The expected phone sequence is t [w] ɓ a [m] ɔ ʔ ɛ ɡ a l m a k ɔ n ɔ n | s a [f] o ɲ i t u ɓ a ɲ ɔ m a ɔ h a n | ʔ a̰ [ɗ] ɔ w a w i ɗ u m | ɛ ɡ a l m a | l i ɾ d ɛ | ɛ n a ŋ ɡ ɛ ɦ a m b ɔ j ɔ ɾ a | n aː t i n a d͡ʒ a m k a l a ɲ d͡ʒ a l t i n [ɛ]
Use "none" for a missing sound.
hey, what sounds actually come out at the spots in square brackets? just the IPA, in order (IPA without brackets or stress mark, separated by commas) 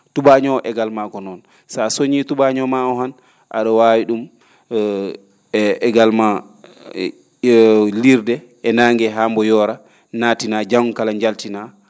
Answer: u, ɲ, s, ɗ, a